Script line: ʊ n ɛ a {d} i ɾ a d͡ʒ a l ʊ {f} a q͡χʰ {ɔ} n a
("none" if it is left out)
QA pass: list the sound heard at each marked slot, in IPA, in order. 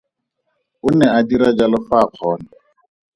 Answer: d, f, ɔː

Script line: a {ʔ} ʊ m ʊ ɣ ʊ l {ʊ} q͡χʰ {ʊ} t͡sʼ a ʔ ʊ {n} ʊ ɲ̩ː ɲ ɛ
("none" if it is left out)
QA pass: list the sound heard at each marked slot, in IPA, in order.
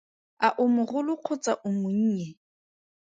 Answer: ʔ, ʊ, ʊ, m

